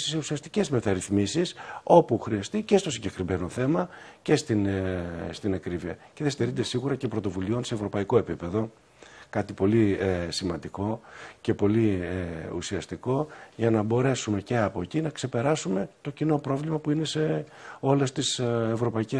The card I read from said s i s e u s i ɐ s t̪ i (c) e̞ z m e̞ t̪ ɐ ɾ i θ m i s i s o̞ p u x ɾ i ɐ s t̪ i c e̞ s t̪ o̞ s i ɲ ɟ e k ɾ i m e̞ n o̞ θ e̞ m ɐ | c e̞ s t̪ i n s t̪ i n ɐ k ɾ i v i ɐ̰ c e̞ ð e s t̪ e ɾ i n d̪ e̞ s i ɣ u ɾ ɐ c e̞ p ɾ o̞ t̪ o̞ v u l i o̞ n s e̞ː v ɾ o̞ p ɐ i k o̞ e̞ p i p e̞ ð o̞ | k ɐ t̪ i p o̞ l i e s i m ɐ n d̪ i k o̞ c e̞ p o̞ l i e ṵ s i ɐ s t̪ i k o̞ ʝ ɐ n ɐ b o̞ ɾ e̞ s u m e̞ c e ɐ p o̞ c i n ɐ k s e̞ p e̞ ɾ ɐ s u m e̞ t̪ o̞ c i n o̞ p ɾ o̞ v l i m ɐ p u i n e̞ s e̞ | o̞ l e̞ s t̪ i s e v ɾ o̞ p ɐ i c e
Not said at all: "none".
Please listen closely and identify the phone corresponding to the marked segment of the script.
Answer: c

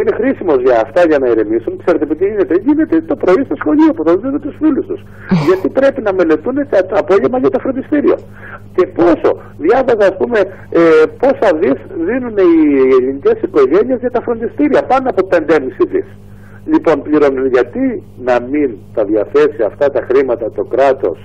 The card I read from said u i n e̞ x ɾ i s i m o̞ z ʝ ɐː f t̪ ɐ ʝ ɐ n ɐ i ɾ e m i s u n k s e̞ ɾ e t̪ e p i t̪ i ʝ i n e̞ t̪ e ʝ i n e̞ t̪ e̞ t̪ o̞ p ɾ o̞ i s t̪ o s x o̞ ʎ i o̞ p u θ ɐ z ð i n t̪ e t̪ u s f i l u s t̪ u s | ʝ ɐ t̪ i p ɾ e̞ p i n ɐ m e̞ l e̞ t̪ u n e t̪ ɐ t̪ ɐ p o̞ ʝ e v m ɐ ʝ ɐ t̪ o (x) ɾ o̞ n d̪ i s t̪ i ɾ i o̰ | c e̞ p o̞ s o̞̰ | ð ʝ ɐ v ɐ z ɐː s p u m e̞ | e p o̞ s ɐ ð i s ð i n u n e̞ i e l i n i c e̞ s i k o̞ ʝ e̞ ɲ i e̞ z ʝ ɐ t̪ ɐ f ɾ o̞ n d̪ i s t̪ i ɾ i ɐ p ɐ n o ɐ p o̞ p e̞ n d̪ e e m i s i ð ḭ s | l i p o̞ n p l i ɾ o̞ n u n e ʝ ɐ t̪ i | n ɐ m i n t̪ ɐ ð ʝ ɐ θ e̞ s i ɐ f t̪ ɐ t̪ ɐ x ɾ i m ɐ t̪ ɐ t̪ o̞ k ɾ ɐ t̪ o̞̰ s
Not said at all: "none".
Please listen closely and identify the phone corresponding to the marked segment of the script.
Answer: f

